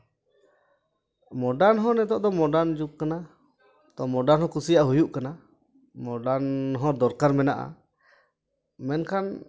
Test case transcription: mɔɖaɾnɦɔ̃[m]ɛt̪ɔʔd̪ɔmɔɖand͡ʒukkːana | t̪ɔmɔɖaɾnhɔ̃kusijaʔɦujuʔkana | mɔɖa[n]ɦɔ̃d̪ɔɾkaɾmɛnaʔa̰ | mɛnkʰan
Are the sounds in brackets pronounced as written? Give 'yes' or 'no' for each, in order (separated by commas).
no, yes